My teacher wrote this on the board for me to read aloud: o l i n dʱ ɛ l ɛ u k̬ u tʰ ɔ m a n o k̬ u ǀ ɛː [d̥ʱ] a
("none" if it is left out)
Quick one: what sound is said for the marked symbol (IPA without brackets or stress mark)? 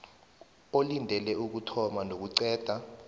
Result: d̥ʱ